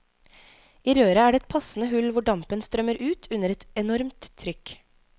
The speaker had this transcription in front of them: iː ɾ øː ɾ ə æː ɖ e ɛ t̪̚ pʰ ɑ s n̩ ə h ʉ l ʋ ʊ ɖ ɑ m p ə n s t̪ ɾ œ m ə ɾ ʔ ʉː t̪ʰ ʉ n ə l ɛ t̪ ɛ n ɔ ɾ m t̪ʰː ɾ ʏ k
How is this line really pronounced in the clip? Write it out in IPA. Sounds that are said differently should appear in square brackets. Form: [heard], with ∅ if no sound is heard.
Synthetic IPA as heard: iː ɾ øː ɾ ə æː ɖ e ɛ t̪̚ pʰ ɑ s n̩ ə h ʉ l ʋ ʊ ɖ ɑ m p ə n s t̪ ɾ œ m ə ɾ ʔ ʉː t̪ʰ ʉ n ə [ɾ] ɛ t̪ ɛ n ɔ ɾ m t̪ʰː ɾ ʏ k

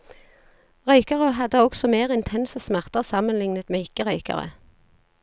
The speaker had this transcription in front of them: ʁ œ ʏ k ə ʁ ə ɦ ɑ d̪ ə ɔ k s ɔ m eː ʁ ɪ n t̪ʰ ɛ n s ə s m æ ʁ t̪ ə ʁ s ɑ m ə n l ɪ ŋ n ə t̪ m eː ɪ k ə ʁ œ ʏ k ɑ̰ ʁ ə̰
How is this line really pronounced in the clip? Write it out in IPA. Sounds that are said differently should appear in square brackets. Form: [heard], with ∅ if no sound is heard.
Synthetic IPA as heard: ʁ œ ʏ k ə ʁ ə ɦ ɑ d̪ ə ɔ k s ɔ m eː ʁ ɪ n t̪ʰ ɛ n s ə s m æ ʁ t̪ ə ʁ s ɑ m ə n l ɪ ŋ n ə t̪ m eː ɪ k ə ʁ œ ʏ k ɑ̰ ʁ ə̰

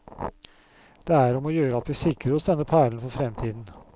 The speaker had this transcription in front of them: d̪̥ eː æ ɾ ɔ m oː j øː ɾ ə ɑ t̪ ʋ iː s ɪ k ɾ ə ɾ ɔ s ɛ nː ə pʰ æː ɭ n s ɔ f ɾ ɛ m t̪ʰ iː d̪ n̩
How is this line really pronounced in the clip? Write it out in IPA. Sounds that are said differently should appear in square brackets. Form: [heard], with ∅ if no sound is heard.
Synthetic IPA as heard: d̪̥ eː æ ɾ ɔ m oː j øː ɾ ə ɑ t̪ ʋ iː s ɪ k ɾ ə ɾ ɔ s ɛ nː ə pʰ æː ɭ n [f] ɔ f ɾ ɛ m t̪ʰ iː d̪ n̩

